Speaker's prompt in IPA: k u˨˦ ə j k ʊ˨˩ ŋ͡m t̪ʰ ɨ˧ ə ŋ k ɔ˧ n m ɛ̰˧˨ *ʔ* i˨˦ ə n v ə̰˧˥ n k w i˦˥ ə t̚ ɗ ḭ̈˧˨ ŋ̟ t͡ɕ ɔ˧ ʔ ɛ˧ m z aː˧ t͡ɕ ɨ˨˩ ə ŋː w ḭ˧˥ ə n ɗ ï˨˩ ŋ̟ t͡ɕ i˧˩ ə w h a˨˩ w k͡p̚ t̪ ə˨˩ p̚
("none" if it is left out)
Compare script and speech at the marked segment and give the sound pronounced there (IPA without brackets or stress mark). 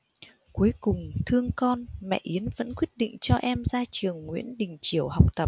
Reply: ʔ